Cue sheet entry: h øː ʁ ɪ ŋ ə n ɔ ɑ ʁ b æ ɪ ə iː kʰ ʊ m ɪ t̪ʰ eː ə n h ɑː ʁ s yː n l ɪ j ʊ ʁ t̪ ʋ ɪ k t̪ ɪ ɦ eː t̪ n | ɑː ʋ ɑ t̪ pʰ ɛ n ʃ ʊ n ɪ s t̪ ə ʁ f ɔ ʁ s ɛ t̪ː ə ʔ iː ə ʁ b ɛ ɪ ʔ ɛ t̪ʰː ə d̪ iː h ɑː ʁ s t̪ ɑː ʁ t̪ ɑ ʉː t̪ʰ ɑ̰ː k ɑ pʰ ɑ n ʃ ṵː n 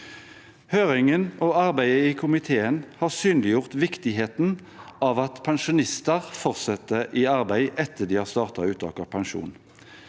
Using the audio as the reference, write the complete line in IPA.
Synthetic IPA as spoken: h øː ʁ ɪ ŋ ə n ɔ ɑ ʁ b æ ɪ ə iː kʰ ʊ m ɪ t̪ʰ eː ə n h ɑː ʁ s yː n l ɪ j ʊ ʁ t̪ ʋ ɪ k t̪ ɪ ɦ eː t̪ n | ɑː ʋ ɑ t̪ pʰ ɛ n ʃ ʊ n ɪ s t̪ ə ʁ f ɔ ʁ s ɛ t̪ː ə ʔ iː ɑ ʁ b æ ɪ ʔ ɛ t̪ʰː ə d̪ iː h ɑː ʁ s t̪ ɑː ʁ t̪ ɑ ʉː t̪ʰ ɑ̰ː k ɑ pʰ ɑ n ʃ ṵː n

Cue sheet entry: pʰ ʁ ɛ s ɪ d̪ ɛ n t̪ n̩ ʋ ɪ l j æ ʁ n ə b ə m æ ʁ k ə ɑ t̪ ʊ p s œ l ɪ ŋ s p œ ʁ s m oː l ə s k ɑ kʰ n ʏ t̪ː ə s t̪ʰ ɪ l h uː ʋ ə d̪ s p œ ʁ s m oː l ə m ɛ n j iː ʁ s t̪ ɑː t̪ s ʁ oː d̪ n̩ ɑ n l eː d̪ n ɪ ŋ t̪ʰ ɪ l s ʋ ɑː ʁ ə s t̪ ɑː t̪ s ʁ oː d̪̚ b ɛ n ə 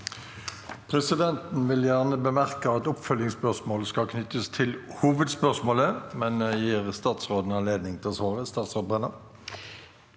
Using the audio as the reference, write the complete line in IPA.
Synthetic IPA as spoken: pʰ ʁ ɛ s ɪ d̪ ɛ n t̪ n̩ ʋ ɪ l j æ ʁ n ə b ə m æ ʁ k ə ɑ t̪ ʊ p f œ l ɪ ŋ s p œ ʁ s m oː l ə s k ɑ kʰ n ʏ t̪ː ə s t̪ʰ ɪ l h uː ʋ ə d̪ s p œ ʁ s m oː l ə m ɛ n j iː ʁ s t̪ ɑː t̪ s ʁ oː d̪ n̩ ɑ n l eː d̪ n ɪ ŋ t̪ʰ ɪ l s ʋ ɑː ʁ ə s t̪ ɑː t̪ s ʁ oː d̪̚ b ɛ n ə

